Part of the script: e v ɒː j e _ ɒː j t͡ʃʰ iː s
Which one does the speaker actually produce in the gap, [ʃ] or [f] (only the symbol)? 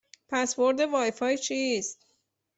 f